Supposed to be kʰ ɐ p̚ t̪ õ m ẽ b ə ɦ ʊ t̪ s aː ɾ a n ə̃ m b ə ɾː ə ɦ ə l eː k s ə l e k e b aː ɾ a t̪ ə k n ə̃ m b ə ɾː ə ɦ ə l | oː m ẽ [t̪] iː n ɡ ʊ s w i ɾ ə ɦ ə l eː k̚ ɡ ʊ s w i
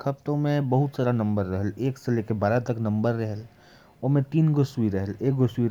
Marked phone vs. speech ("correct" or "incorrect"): correct